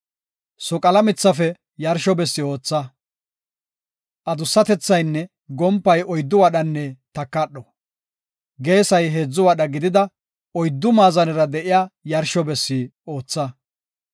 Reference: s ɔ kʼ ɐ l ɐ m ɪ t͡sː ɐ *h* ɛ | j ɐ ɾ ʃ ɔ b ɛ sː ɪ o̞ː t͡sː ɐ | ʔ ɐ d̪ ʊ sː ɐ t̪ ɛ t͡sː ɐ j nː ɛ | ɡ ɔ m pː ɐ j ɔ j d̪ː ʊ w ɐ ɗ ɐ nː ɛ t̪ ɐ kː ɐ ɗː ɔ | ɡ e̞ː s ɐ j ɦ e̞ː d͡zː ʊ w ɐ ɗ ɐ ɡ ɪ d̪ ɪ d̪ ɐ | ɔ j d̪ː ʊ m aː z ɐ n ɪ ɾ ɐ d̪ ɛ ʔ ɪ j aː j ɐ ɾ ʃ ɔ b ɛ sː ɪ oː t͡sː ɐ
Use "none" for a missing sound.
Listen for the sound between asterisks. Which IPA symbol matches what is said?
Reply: f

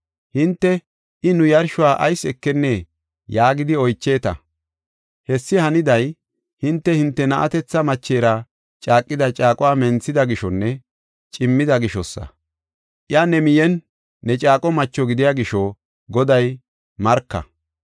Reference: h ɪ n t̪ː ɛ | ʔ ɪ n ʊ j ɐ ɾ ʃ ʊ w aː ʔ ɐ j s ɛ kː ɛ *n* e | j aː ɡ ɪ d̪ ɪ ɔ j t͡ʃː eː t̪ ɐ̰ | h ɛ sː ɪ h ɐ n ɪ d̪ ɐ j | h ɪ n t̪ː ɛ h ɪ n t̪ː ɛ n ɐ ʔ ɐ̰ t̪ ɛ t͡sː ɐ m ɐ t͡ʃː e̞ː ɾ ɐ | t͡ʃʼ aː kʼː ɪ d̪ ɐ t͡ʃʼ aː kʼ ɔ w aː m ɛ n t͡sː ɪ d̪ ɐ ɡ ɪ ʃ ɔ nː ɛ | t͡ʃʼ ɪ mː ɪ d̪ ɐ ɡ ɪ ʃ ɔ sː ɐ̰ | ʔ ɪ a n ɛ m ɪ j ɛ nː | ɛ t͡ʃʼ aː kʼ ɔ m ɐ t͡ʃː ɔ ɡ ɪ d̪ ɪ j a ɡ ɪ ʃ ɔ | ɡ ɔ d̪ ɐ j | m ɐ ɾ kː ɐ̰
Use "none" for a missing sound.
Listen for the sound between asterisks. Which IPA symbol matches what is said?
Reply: nː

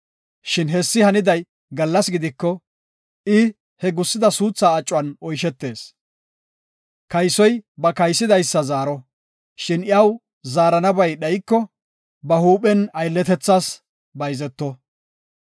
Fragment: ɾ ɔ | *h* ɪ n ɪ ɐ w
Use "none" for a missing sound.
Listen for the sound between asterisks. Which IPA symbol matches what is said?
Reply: ʃ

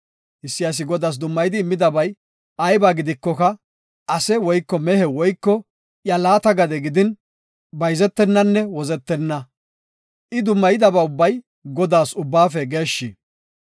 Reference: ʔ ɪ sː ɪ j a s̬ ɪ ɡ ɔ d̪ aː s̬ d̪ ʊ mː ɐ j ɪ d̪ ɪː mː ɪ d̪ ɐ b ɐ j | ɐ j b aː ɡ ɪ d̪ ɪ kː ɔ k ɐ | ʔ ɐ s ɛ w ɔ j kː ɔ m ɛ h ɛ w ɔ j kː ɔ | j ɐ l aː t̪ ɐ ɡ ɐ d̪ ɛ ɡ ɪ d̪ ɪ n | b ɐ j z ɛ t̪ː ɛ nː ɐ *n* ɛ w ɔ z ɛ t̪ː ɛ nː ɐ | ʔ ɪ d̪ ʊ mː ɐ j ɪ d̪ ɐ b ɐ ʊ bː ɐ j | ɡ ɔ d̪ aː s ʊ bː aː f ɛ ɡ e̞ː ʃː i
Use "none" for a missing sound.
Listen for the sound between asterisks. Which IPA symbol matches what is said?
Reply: nː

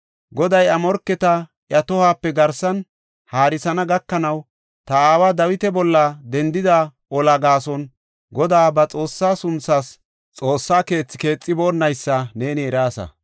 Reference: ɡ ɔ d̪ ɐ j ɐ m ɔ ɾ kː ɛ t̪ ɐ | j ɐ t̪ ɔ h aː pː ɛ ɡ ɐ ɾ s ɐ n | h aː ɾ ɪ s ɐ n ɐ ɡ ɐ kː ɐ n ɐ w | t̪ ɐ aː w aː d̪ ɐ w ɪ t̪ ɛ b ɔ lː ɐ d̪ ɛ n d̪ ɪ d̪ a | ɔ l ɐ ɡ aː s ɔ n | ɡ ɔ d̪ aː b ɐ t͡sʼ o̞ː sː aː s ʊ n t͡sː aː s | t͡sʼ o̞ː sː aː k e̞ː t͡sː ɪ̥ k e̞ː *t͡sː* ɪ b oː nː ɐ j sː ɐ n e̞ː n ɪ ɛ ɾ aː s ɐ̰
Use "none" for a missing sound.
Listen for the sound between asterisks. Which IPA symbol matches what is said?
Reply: t͡sʼː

